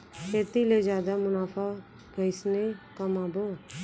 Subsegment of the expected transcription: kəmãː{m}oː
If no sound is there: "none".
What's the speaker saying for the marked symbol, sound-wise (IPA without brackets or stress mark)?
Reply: b